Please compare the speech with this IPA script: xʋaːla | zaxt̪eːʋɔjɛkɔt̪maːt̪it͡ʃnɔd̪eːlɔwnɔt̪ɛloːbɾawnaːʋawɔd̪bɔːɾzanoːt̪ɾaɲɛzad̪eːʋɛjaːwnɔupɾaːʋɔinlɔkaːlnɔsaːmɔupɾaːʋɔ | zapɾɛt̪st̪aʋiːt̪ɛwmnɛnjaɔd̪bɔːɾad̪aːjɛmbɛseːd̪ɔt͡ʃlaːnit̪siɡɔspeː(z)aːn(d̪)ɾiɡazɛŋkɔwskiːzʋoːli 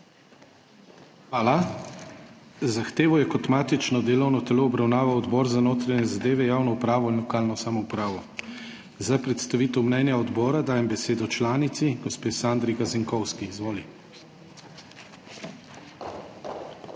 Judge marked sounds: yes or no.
no, yes

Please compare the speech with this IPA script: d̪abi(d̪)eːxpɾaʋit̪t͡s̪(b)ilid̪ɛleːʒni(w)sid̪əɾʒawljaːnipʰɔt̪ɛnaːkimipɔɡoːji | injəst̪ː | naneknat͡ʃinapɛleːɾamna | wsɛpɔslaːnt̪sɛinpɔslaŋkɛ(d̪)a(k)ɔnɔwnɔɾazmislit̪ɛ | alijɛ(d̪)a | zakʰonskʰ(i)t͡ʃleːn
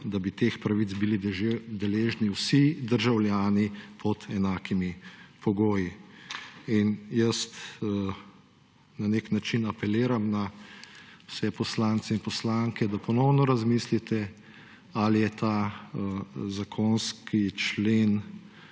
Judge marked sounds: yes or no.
no, yes, yes, yes, no, no, yes

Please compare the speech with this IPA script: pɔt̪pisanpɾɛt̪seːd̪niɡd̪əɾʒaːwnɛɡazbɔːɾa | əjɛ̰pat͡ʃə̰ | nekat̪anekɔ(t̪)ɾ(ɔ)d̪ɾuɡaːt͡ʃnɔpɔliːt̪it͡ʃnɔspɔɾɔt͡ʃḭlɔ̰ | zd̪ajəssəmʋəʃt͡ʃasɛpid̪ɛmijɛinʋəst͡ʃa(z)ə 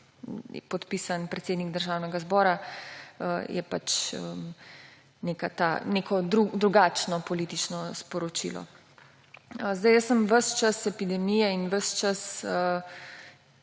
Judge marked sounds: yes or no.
no, no, no

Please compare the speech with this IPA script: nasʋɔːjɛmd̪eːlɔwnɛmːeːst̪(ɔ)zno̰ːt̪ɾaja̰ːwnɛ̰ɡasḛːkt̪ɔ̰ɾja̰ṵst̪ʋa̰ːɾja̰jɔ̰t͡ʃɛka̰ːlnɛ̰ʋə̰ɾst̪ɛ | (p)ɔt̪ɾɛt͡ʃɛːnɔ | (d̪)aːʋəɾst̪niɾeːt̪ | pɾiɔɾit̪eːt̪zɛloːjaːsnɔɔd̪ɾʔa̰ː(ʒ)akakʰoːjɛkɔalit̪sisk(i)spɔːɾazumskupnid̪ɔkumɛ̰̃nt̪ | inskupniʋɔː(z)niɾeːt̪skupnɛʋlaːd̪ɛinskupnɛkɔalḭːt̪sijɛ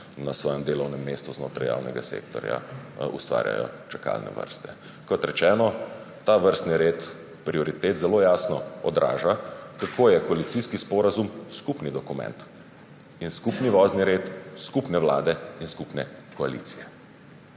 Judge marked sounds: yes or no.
no, no, no, yes, yes, yes

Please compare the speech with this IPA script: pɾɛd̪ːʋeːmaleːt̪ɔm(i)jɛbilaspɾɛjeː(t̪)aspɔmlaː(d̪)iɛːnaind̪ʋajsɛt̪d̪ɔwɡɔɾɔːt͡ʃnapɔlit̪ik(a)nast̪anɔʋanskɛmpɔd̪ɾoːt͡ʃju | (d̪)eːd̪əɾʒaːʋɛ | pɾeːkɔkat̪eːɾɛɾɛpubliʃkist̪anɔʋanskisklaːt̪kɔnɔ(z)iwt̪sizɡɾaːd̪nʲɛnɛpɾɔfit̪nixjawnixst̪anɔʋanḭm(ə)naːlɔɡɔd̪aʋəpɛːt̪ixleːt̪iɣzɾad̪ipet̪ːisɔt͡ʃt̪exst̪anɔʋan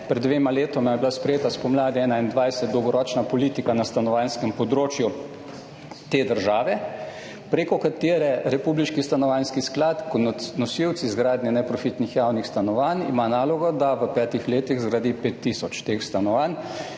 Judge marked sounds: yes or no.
no, yes, yes, yes, no, no, no

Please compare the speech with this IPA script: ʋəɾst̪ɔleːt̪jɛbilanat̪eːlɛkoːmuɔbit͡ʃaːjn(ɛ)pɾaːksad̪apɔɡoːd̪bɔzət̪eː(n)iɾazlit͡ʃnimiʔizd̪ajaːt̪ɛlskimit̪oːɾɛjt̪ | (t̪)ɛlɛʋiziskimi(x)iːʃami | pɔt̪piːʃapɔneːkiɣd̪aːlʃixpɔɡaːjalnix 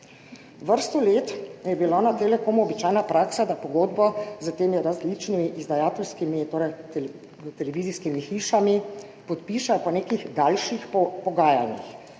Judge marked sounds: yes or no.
no, no, yes, yes

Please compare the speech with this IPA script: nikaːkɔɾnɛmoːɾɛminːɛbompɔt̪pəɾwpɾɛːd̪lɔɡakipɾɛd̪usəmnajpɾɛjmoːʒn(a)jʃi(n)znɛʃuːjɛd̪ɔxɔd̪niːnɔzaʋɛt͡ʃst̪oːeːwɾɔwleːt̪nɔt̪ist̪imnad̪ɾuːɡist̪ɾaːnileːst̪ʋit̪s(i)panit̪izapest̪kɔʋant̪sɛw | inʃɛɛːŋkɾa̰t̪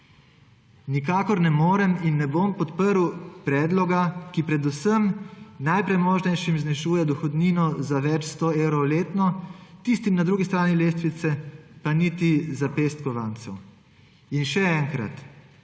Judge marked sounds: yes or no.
no, no, no

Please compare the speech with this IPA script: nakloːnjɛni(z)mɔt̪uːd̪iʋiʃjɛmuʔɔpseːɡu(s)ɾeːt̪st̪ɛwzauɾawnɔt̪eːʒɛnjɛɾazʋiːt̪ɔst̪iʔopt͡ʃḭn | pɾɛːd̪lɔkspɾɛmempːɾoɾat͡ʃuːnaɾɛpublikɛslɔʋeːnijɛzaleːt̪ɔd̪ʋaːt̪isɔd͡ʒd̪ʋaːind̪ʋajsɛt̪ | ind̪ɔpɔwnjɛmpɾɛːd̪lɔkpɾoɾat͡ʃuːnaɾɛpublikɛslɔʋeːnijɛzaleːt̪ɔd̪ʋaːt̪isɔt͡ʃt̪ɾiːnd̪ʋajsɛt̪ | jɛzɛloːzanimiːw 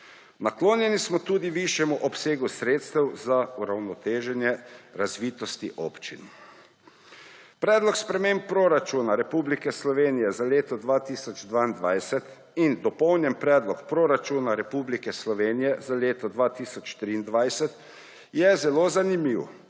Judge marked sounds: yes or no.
no, yes

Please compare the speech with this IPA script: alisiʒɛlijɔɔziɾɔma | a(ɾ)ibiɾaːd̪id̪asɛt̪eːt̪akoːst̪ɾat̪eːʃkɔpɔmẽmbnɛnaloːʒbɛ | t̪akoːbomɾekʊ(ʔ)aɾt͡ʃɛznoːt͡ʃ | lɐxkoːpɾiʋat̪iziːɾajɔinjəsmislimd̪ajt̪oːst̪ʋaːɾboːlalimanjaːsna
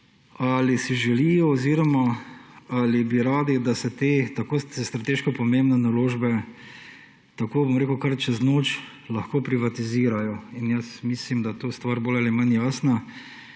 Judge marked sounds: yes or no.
no, no

